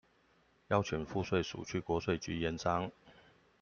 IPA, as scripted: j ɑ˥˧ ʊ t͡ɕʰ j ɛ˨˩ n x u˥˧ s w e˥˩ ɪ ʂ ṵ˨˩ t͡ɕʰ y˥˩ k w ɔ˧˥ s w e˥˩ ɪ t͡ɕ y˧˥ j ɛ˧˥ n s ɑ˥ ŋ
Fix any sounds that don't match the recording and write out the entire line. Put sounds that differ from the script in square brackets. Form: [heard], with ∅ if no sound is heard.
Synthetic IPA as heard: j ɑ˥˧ ʊ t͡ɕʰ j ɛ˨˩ n [f] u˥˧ s w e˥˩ ɪ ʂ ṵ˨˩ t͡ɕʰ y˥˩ k w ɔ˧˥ s w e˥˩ ɪ t͡ɕ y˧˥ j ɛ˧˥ n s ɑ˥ ŋ

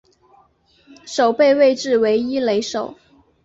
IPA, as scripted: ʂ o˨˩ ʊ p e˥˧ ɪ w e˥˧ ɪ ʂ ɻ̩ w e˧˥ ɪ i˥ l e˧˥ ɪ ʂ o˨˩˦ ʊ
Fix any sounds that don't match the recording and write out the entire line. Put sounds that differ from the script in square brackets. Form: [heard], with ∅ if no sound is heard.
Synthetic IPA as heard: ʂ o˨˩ ʊ p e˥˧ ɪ w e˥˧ ɪ [ʈ͡ʂ] ɻ̩ w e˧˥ ɪ i˥ l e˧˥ ɪ ʂ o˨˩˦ ʊ

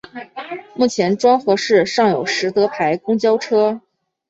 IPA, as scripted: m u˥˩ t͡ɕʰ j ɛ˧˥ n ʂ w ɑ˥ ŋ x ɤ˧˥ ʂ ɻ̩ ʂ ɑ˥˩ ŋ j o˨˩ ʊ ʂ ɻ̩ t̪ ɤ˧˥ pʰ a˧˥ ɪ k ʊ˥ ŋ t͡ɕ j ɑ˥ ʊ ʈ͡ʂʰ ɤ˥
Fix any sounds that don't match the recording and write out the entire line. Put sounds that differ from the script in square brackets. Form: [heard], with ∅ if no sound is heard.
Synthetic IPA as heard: m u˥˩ t͡ɕʰ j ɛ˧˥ n [ʈ͡ʂ] w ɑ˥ ŋ x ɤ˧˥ ʂ ɻ̩ ʂ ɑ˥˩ ŋ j o˨˩ ʊ ʂ ɻ̩ t̪ ɤ˧˥ pʰ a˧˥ ɪ k ʊ˥ ŋ t͡ɕ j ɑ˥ ʊ ʈ͡ʂʰ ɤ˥

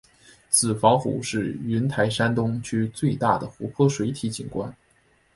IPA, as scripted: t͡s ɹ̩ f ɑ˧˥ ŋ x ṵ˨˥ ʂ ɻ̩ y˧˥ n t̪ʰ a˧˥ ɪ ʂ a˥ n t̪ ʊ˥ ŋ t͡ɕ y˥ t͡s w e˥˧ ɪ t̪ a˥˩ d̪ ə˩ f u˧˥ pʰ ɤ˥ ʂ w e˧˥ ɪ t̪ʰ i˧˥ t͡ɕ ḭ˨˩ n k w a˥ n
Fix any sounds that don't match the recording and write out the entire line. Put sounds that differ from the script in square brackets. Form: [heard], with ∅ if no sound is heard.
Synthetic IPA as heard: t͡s ɹ̩ f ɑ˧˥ ŋ x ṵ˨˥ ʂ ɻ̩ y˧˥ n t̪ʰ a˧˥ ɪ ʂ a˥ n t̪ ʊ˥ ŋ [t͡ɕʰ] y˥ t͡s w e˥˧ ɪ t̪ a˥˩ d̪ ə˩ [x] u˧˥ pʰ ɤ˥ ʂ w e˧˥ ɪ t̪ʰ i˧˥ t͡ɕ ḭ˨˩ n k w a˥ n

